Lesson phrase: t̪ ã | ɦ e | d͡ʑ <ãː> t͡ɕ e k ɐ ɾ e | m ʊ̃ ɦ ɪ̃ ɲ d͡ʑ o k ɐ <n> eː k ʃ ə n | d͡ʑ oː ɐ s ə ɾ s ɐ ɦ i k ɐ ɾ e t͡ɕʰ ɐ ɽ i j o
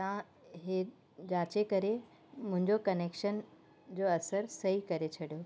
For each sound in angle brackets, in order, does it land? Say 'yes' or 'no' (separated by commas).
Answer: no, yes